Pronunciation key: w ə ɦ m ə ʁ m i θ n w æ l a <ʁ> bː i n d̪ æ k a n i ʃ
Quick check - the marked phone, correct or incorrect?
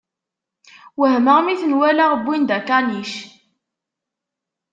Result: correct